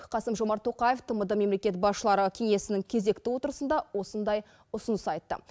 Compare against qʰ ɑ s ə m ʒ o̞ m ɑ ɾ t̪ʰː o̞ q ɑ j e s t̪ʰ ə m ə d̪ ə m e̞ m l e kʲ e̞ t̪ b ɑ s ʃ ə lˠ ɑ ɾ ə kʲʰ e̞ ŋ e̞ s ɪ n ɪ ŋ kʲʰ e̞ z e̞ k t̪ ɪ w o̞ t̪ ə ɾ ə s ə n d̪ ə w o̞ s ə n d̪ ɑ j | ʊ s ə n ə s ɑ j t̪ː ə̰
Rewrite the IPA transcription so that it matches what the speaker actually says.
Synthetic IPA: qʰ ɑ s ə m ʒ o̞ m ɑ ɾ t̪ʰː o̞ q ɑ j e f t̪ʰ ə m ə d̪ ə m e̞ m l e kʲ e̞ t̪ b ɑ s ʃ ə lˠ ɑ ɾ ə kʲʰ e̞ ŋ e̞ s ɪ n ɪ ŋ kʲʰ e̞ z e̞ k t̪ ɪ w o̞ t̪ ə ɾ ə s ə n d̪ ɑ w o̞ s ə n d̪ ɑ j | ʊ s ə n ə s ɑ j t̪ː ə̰